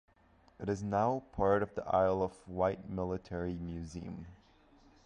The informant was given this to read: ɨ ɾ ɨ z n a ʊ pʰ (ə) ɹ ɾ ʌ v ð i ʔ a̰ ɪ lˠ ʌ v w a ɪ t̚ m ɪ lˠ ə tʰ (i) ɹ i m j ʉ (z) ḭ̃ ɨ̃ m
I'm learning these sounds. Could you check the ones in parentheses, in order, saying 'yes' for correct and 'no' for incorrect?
no, no, yes

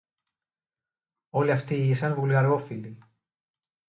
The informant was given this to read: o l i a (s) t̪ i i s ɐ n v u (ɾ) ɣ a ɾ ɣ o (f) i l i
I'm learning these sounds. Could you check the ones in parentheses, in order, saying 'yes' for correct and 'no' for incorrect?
no, no, yes

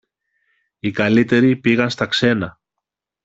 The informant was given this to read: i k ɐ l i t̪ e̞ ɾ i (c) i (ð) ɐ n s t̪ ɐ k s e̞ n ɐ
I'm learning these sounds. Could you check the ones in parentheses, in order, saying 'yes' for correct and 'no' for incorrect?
no, no

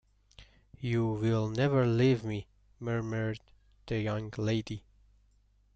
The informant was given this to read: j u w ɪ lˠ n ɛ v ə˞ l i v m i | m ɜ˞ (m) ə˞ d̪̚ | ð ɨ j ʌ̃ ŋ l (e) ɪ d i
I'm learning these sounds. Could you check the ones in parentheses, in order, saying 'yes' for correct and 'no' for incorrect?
yes, yes

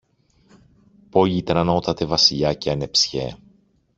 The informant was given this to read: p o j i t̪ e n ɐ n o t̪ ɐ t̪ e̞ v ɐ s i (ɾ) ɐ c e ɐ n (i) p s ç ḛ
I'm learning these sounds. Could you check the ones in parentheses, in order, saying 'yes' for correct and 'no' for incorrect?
no, no

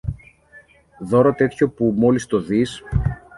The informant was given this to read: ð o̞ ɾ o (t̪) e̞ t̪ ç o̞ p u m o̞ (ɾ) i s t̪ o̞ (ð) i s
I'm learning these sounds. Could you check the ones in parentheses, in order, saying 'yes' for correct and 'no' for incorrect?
yes, no, yes

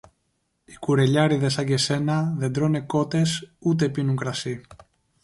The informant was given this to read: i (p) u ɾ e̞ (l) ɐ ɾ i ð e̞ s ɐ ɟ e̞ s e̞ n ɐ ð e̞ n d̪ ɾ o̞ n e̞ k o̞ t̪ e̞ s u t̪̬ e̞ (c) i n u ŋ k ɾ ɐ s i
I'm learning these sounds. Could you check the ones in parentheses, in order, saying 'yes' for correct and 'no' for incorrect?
no, no, no

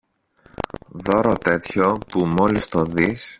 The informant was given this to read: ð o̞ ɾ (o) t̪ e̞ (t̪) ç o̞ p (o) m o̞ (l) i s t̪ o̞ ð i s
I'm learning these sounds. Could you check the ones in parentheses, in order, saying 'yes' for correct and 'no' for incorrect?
yes, yes, no, yes

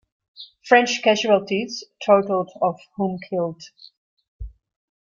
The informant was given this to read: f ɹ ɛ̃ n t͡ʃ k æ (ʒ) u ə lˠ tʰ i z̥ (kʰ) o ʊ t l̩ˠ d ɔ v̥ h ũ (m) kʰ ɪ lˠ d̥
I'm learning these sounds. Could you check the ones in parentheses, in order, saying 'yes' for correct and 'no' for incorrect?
yes, no, yes

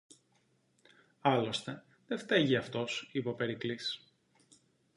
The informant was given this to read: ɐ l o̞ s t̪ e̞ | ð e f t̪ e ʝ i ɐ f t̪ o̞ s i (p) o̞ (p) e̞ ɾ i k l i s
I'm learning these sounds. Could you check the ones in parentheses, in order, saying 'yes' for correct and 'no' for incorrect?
yes, yes

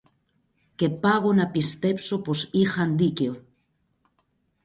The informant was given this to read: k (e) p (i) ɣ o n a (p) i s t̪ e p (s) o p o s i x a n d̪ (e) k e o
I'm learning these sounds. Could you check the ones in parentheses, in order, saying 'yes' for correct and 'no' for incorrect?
yes, no, yes, yes, no

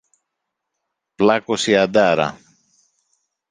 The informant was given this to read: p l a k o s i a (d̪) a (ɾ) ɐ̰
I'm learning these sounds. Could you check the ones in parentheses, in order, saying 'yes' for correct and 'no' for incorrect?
yes, yes

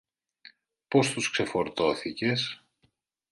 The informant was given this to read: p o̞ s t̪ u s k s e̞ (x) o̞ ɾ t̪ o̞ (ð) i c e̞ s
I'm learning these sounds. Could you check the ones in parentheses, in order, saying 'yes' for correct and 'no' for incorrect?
no, no

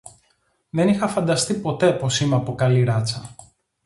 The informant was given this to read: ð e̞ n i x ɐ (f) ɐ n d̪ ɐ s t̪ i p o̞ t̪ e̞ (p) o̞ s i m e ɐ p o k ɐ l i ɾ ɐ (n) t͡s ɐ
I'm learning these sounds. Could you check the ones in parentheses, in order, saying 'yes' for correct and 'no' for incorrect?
yes, yes, no

